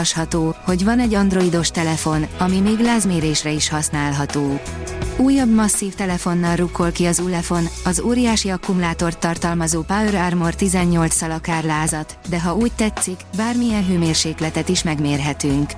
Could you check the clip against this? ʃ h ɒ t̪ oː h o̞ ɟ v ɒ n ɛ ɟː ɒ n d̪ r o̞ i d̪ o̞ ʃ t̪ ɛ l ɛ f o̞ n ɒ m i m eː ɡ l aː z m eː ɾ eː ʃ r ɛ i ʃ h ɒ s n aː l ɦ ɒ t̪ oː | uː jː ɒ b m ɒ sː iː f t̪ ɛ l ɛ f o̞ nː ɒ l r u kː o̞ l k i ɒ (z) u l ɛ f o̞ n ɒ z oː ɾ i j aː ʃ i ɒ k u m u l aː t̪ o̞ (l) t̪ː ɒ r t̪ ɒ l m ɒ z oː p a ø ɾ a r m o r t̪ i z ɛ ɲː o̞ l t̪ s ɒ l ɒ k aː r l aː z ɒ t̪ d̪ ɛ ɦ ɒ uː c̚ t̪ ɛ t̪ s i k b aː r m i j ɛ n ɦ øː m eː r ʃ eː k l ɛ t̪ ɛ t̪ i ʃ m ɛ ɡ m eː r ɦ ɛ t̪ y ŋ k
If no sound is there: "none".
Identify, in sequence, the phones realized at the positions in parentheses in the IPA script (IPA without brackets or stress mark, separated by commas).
z, r